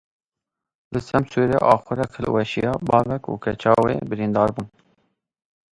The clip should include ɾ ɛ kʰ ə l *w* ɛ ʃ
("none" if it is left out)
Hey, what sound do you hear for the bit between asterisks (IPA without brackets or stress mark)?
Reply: w